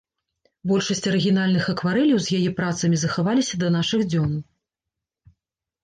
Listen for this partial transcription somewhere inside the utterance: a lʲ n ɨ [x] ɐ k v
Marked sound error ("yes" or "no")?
no